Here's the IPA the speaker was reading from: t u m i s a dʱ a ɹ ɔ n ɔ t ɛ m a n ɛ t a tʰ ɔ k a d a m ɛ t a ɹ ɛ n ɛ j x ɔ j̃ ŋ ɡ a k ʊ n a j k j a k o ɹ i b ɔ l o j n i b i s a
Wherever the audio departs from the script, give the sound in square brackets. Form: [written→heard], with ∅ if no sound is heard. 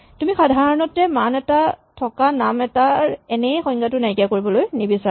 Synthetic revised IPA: t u m i [s→x] a dʱ a ɹ ɔ n ɔ t ɛ m a n ɛ t a tʰ ɔ k a [d→n] a m ɛ t a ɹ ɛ n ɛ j x ɔ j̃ ŋ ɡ a [k→t] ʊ n a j k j a k o ɹ i b ɔ l o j n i b i s a